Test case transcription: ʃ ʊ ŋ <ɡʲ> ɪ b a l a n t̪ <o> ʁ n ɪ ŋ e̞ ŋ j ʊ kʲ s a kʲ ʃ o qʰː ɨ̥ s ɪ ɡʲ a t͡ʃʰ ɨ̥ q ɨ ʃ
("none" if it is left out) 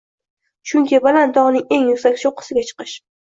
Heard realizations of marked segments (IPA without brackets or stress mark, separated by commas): kʲ, ɒ